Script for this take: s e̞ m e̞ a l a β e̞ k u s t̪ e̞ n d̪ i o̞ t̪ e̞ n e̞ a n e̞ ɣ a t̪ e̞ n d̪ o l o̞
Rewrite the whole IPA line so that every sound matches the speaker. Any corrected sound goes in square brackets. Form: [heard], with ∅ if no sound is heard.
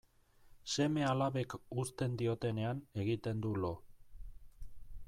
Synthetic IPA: s e̞ m e̞ a l a β e̞ k u s t̪ e̞ n d̪ i o̞ t̪ e̞ n e̞ a n e̞ ɣ [i] t̪ e̞ n d̪ [u] l o̞

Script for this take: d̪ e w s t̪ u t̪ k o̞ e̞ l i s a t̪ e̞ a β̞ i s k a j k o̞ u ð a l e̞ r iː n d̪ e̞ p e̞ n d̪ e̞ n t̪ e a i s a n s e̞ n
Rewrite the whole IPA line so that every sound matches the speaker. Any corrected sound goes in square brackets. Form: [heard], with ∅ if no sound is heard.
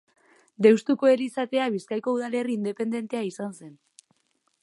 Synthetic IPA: d̪ e w s t̪ u [∅] k o̞ e̞ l i s a t̪ e̞ a β̞ i s k a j k o̞ u ð a l e̞ r iː n d̪ e̞ p e̞ n d̪ e̞ n t̪ e a i s a n s e̞ n

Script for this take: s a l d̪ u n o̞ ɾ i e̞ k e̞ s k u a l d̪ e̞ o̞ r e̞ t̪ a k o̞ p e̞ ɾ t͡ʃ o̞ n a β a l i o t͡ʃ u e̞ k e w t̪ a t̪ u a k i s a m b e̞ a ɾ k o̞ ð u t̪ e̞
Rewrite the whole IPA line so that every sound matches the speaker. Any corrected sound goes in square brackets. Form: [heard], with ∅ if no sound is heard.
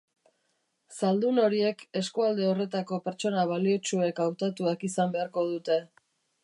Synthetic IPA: s a l d̪ u n o̞ ɾ i e̞ k e̞ s k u a l d̪ e̞ o̞ r e̞ t̪ a k o̞ p e̞ ɾ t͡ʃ o̞ n a β a l i o t͡ʃ u e̞ k [a] w t̪ a t̪ u a k i s a m b e̞ a ɾ k o̞ ð u t̪ e̞

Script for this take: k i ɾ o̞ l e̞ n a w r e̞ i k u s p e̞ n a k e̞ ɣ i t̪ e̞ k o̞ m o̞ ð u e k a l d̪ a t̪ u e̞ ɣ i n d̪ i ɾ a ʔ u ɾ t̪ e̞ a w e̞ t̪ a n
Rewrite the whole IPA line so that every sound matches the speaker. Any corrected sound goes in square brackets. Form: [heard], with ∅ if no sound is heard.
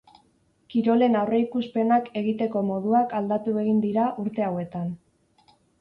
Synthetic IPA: k i ɾ o̞ l e̞ n a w r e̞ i k u s p e̞ n a k e̞ ɣ i t̪ e̞ k o̞ m o̞ ð u [a] k a l d̪ a t̪ u e̞ ɣ i n d̪ i ɾ a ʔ u ɾ t̪ e̞ a w e̞ t̪ a n

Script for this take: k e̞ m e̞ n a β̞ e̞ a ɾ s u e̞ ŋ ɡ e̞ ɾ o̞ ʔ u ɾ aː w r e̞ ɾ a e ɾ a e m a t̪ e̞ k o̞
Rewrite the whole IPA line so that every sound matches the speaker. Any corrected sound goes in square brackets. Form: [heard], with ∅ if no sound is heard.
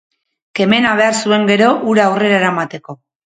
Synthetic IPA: k e̞ m e̞ n a β̞ e̞ a ɾ s u e̞ ŋ ɡ e̞ ɾ o̞ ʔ u ɾ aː w r e̞ ɾ a e ɾ a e m a t̪ e̞ k o̞

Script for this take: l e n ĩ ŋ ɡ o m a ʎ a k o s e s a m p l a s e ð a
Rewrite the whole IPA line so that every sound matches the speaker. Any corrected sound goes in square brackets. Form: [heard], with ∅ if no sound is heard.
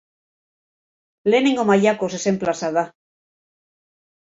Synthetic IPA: l e n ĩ ŋ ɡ o m a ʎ a k o s e s [e] m p l a s [a] ð a

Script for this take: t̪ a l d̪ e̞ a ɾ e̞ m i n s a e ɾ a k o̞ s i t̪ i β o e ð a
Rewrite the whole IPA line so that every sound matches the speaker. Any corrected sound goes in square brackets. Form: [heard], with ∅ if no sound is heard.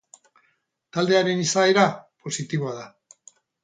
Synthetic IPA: t̪ a l d̪ e̞ a ɾ e̞ [n] i [∅] s a e ɾ a [p] o̞ s i t̪ i β o [a] ð a

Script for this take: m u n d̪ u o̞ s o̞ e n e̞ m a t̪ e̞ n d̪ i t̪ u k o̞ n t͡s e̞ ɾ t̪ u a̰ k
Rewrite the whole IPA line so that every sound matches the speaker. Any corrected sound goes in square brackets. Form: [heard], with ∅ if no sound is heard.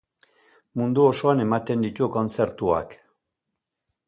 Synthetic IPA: m u n d̪ u o̞ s o̞ [a] n e̞ m a t̪ e̞ n d̪ i t̪ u k o̞ n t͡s e̞ ɾ t̪ u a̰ k

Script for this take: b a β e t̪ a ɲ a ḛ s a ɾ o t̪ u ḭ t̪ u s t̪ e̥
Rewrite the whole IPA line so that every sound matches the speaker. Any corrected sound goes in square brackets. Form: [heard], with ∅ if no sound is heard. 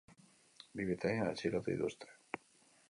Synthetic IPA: b [i] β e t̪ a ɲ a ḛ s [i] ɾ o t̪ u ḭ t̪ u s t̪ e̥

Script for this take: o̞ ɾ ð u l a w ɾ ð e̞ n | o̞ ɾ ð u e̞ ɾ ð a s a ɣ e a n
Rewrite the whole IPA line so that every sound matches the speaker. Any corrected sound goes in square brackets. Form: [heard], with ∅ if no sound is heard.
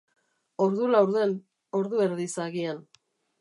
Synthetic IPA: o̞ ɾ ð u l a w ɾ ð e̞ n | o̞ ɾ ð u e̞ ɾ ð [i] s a ɣ [i] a n

